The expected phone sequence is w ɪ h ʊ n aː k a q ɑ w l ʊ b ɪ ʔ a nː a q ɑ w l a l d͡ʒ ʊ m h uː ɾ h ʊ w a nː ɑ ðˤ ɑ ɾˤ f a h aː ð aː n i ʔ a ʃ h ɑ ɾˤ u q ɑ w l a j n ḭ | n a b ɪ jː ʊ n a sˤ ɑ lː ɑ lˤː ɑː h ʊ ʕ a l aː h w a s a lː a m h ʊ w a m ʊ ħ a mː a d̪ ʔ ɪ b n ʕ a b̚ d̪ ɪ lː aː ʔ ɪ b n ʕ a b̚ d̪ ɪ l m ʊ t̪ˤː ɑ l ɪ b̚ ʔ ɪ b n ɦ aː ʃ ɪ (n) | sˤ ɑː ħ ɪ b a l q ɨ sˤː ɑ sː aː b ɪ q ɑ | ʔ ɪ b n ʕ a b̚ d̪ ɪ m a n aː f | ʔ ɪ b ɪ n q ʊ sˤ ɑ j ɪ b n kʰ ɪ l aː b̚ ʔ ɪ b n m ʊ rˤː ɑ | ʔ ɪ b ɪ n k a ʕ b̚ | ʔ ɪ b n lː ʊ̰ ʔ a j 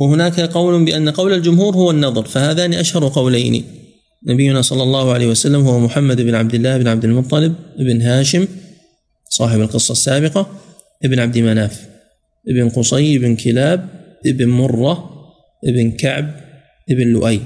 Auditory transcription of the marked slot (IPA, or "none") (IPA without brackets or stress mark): m